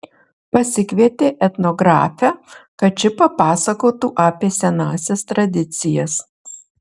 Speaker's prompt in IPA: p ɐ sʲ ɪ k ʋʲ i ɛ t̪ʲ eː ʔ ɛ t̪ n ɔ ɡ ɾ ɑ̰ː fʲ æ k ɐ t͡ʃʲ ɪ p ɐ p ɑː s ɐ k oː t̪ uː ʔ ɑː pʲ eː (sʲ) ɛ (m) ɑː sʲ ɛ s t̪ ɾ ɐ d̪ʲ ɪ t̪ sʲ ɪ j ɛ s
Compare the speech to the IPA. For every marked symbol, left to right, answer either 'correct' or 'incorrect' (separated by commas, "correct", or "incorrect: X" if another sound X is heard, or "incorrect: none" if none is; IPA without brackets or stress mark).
correct, incorrect: n